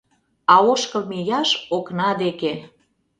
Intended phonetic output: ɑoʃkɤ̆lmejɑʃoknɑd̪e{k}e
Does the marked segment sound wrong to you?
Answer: no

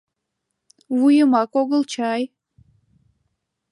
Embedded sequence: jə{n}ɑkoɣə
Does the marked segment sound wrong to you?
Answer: yes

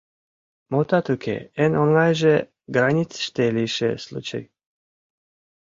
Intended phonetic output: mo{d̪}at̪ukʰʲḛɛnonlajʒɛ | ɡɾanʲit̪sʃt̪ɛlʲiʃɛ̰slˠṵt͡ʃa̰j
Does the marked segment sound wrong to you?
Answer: yes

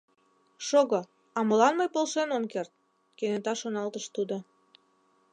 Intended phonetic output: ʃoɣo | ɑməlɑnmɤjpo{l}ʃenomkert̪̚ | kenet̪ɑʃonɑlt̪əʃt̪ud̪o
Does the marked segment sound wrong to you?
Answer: no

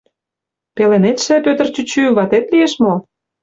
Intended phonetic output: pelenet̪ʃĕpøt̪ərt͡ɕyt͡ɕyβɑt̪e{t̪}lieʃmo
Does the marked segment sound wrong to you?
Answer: no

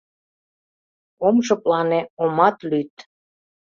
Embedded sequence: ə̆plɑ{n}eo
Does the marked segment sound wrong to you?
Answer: no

